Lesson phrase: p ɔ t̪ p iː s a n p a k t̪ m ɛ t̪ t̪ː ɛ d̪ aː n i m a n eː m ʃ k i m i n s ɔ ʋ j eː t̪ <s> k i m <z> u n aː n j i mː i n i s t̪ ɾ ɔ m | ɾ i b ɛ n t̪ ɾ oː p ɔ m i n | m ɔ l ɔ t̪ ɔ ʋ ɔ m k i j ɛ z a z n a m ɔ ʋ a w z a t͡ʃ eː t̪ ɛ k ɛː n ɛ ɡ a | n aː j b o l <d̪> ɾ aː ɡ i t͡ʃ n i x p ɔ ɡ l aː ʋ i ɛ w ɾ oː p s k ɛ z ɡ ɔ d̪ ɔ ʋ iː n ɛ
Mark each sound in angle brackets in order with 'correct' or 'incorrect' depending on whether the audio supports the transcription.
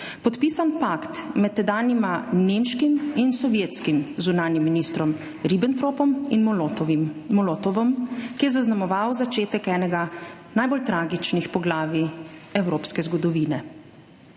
correct, correct, incorrect: t̪

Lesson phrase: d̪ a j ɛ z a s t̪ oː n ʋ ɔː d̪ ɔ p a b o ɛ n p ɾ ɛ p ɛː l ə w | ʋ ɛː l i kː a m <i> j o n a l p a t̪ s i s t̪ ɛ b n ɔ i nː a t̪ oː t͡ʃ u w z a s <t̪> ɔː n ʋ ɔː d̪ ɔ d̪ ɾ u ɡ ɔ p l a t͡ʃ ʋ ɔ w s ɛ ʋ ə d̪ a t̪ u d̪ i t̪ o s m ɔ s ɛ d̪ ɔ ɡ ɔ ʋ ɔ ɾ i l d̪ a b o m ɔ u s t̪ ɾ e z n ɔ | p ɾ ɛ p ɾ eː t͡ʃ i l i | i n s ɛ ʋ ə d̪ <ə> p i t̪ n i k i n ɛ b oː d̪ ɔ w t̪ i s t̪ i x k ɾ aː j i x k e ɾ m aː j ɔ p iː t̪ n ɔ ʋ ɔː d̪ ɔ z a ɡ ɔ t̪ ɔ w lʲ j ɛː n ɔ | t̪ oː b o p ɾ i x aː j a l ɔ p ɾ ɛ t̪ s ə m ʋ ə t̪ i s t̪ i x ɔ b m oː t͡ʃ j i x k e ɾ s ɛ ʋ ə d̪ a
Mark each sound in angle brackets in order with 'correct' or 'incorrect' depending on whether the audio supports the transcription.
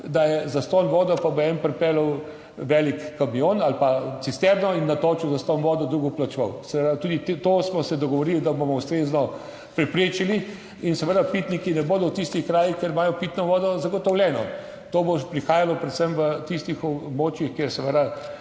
correct, correct, incorrect: a

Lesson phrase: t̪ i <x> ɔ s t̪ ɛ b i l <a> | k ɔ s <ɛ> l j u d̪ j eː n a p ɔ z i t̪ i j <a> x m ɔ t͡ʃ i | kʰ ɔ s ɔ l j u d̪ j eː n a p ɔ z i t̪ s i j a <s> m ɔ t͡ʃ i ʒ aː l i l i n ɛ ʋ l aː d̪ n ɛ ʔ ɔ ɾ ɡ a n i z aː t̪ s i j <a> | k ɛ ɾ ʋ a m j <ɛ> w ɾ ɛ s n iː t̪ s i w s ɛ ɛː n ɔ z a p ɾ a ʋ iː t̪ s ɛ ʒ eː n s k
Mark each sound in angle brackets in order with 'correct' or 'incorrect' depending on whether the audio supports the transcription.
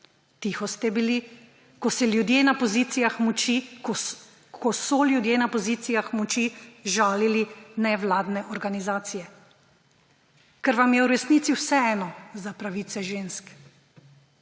correct, incorrect: i, correct, correct, incorrect: x, incorrect: ɛ, correct

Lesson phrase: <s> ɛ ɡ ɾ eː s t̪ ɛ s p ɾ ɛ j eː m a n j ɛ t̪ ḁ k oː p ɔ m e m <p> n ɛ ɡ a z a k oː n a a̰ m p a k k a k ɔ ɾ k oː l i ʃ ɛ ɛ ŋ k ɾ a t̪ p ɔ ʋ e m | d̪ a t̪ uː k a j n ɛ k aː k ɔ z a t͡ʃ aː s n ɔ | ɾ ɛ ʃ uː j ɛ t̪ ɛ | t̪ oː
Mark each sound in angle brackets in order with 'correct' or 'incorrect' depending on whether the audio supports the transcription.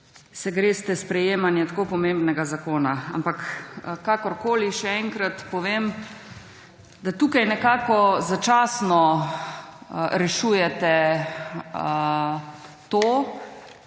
correct, incorrect: b

